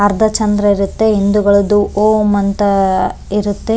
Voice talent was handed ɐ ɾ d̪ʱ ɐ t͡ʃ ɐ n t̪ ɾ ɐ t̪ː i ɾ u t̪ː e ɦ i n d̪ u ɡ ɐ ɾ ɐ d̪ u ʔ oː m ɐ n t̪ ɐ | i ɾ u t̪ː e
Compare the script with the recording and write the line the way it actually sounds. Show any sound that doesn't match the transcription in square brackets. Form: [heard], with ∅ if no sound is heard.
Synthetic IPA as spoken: ɐ ɾ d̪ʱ ɐ t͡ʃ ɐ n [d̪] ɾ ɐ [∅] i ɾ u t̪ː e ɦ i n d̪ u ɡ ɐ [ɭ] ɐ d̪ u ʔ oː m ɐ n t̪ ɐ | i ɾ u t̪ː e